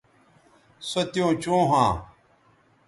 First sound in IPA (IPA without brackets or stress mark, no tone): s